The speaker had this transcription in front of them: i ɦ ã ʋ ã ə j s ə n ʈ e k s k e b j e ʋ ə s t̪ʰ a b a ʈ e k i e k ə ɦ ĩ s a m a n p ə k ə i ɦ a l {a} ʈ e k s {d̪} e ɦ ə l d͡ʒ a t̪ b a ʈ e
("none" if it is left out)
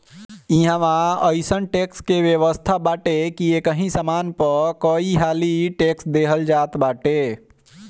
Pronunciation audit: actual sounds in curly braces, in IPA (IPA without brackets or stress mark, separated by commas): i, d̪